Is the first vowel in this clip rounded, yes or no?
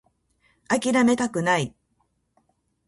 no